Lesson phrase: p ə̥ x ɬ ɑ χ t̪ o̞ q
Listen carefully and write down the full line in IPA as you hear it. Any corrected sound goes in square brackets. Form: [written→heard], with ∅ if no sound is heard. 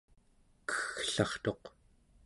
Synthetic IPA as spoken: [p→k] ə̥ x ɬ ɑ χ t̪ o̞ q